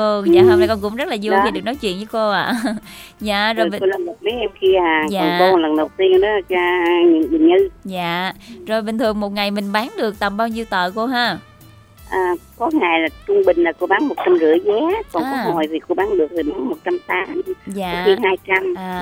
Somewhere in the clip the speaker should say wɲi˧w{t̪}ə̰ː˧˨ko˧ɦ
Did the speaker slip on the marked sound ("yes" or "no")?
no